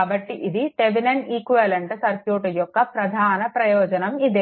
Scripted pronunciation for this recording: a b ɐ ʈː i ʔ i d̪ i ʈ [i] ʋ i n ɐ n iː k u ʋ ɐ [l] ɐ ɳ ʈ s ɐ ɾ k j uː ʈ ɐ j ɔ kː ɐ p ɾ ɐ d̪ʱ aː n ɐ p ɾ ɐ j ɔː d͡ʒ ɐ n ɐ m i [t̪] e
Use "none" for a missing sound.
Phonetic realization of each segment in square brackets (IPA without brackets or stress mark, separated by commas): e, l, d̪